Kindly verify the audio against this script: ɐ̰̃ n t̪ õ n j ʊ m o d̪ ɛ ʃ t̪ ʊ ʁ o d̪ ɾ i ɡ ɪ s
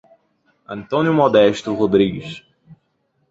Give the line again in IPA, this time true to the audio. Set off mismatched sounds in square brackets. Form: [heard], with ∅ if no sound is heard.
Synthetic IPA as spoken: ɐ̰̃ n t̪ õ n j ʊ m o d̪ ɛ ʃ t̪ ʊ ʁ o d̪ ɾ i ɡ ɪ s